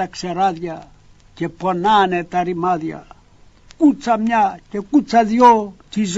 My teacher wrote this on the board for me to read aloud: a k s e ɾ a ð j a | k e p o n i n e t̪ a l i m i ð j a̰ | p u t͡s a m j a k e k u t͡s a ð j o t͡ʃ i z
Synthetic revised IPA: a k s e ɾ a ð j a | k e p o n a n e t̪ a ɾ i m a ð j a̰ | k u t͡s a m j a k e k u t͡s a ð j o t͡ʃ i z